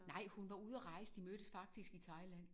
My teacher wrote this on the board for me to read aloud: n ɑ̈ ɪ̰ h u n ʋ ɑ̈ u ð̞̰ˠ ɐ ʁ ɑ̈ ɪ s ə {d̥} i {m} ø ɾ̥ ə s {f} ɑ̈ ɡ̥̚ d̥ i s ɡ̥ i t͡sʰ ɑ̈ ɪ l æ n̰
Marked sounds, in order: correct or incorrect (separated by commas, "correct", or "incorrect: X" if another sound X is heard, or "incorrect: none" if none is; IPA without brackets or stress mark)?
correct, correct, correct